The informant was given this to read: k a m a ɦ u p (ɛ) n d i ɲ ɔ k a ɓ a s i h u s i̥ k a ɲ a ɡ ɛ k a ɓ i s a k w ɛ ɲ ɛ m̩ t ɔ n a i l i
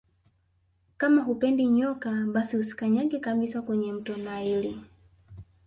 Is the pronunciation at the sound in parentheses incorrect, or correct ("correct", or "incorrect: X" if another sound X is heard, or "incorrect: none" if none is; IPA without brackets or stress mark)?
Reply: correct